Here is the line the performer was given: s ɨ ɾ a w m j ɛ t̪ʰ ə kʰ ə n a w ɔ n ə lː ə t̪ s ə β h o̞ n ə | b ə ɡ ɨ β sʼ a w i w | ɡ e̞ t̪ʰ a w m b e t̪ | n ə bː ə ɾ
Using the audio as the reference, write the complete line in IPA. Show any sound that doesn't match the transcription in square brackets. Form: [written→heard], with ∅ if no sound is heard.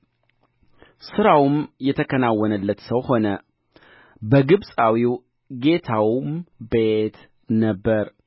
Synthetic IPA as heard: s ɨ ɾ a w m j ɛ t̪ʰ ə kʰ ə n a w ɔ n ə lː ə t̪ s ə [β→w] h o̞ n ə | b ə ɡ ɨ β sʼ a w i w | ɡ e̞ t̪ʰ a w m b e t̪ | n ə bː ə ɾ